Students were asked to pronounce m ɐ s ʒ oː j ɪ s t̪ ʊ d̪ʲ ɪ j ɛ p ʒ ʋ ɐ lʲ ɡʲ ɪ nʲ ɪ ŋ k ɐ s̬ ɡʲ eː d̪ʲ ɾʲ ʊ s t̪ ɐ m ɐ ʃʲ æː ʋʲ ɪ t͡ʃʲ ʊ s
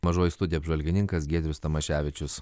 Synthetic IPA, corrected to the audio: m ɐ ʒ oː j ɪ s t̪ ʊ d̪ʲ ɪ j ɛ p ʒ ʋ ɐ lʲ ɡʲ ɪ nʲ ɪ ŋ k ɐ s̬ ɡʲ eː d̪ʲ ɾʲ ʊ s t̪ ɐ m ɐ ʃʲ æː ʋʲ ɪ t͡ʃʲ ʊ s